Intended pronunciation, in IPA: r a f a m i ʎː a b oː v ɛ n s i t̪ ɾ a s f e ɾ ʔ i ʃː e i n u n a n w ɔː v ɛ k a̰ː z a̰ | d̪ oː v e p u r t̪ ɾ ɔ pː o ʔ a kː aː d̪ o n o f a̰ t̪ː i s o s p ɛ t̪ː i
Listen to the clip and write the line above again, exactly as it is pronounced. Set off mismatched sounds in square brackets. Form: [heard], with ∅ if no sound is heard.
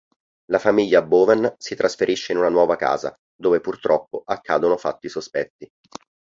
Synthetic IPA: [l] a f a m i ʎː a b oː v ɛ n s i t̪ ɾ a s f e ɾ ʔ i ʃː e i n u n a n w ɔː v [a] k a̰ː z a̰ | d̪ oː v e p u r t̪ ɾ ɔ pː o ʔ a kː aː d̪ o n o f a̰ t̪ː i s o s p ɛ t̪ː i